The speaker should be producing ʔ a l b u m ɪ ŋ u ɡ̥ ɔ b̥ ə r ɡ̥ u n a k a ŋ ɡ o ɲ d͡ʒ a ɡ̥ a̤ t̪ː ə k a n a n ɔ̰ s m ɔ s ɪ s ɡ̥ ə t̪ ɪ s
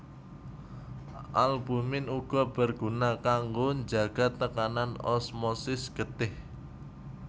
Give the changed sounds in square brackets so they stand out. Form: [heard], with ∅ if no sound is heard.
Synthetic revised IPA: ʔ a l b u m ɪ [n] u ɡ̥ ɔ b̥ ə r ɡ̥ u n a k a ŋ ɡ o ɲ d͡ʒ a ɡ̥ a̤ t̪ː ə k a n a n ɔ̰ s m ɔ s ɪ s ɡ̥ ə t̪ ɪ [h]